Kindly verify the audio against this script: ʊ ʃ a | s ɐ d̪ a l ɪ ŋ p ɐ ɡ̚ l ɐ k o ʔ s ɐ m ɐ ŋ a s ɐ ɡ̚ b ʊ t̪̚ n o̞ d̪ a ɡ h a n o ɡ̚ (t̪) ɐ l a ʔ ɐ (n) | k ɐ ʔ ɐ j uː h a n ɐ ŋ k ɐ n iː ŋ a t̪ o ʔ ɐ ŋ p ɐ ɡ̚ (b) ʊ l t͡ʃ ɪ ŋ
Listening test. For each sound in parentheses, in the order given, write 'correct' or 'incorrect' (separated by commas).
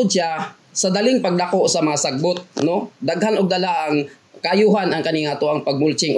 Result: incorrect, incorrect, incorrect